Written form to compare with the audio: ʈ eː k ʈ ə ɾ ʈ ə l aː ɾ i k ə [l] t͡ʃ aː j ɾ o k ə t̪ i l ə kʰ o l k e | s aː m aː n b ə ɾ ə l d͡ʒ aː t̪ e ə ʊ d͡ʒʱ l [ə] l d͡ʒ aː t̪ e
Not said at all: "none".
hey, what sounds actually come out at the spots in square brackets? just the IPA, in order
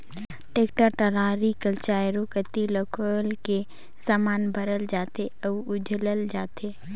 l, ə

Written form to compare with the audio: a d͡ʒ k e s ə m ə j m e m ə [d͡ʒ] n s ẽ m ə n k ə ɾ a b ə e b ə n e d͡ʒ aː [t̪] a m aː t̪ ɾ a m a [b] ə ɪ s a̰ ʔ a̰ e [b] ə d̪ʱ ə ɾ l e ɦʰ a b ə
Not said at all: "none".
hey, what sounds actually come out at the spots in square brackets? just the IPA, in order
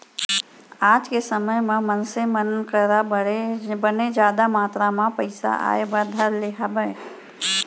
none, d̪, p, b

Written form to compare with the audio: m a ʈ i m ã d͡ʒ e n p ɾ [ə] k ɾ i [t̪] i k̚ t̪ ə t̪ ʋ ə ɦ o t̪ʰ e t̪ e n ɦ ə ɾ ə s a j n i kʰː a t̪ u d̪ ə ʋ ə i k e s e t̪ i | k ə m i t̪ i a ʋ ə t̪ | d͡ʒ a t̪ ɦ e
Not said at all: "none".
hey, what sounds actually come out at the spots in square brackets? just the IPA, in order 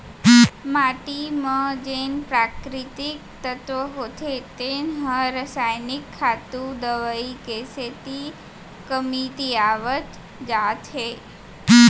a, t̪

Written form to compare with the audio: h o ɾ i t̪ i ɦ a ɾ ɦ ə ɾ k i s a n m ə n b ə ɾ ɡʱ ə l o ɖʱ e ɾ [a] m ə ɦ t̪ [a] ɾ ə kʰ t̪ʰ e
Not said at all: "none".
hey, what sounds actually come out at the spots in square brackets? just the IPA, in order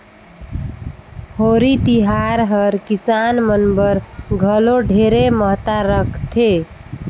e, a

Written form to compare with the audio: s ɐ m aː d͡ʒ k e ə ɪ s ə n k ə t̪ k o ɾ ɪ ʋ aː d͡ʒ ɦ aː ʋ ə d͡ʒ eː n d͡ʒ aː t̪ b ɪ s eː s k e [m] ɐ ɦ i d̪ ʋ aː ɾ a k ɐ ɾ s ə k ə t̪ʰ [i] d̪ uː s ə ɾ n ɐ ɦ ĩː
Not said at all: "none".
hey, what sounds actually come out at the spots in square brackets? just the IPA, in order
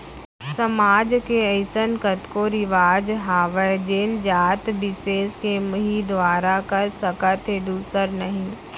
m, e

